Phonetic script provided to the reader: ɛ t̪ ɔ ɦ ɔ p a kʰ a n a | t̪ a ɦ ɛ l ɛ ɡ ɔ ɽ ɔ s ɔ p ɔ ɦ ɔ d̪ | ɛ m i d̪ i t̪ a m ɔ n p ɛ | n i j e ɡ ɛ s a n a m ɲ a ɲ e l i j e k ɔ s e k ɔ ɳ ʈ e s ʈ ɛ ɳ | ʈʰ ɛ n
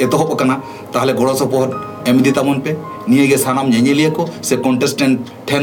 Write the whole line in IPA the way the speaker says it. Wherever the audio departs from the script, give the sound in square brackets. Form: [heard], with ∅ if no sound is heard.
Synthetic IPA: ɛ t̪ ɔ ɦ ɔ p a [k] a n a | t̪ a ɦ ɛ l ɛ ɡ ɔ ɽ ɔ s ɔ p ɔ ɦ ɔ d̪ | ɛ m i d̪ i t̪ a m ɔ n p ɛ | n i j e ɡ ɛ s a n a m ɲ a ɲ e l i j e k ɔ s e k ɔ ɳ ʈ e s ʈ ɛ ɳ | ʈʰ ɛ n